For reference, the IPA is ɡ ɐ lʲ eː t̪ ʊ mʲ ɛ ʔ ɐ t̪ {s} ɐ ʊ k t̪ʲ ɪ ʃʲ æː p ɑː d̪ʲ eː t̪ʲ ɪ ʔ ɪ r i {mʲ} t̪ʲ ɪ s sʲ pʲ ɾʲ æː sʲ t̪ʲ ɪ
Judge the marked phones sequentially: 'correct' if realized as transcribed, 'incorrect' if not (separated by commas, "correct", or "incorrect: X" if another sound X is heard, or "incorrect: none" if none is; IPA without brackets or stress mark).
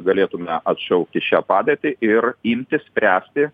incorrect: ʃ, correct